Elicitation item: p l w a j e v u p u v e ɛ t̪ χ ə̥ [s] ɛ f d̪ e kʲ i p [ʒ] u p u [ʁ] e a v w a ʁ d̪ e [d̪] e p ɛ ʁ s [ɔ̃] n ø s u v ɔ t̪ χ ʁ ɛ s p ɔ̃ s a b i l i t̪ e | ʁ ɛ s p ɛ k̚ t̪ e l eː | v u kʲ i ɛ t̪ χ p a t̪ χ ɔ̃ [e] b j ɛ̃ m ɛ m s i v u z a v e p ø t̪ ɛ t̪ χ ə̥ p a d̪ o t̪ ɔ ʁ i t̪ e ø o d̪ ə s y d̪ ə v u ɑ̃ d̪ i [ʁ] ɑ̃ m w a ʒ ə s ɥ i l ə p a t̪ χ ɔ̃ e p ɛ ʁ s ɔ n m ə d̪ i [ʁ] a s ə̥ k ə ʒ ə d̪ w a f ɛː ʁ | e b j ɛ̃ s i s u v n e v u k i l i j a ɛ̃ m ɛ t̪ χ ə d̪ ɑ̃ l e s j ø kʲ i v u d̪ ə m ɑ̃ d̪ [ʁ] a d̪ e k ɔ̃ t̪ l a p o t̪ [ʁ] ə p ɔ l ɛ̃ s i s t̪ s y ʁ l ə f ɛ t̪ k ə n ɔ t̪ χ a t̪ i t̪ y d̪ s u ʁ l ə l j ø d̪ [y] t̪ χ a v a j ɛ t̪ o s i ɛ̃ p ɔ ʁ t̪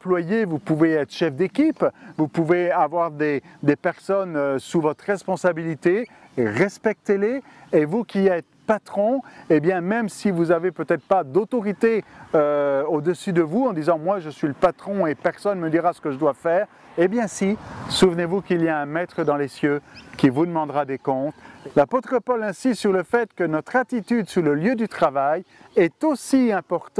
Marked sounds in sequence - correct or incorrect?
incorrect, incorrect, incorrect, correct, incorrect, correct, incorrect, correct, correct, incorrect, correct

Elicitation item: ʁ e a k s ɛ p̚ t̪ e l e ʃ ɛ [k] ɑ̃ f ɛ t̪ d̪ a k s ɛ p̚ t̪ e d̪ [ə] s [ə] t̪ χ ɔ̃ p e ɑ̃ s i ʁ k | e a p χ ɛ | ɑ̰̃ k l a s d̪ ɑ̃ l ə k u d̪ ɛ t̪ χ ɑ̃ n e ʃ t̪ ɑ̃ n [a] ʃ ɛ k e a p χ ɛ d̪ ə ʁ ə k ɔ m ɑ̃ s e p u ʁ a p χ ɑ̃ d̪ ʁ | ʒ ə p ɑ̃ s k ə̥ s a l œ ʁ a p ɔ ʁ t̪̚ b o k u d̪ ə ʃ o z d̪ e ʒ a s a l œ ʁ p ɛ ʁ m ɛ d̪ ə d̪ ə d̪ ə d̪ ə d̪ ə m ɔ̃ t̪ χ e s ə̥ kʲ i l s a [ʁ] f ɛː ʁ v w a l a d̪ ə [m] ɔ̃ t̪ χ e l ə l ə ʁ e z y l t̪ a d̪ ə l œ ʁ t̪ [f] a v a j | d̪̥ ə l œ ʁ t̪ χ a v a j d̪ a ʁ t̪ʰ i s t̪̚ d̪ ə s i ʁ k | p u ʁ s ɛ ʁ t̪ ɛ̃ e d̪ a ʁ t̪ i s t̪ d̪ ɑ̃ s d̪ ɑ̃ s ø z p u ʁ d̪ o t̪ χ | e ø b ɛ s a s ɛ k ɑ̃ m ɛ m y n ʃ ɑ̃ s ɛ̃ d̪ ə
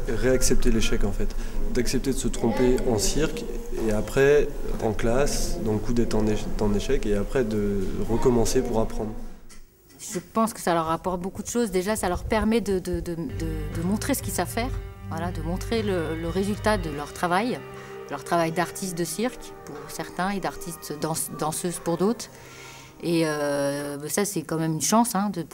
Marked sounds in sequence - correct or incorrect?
correct, correct, correct, incorrect, incorrect, correct, incorrect

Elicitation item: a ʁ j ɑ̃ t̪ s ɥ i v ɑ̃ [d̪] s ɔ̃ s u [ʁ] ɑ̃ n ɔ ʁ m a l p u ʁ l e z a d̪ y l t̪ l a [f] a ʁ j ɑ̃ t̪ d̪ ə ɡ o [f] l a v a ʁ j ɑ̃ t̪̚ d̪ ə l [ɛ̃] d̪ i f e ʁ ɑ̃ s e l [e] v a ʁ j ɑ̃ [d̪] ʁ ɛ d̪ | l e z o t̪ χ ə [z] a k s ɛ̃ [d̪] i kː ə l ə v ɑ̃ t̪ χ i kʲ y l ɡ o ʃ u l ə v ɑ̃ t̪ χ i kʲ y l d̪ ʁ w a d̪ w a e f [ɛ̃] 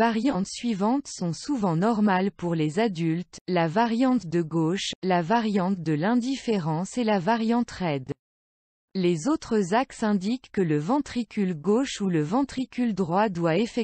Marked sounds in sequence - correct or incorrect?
incorrect, incorrect, incorrect, incorrect, correct, incorrect, incorrect, correct, correct, incorrect

